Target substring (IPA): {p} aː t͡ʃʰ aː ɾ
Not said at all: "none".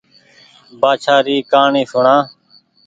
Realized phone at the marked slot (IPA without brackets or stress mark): b